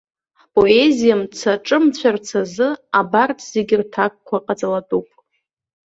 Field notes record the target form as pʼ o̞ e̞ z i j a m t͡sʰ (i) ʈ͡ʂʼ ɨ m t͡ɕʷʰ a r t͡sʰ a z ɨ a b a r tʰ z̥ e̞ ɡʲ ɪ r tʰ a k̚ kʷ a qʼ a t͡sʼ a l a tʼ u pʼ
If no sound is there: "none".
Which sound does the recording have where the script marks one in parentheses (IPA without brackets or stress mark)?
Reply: a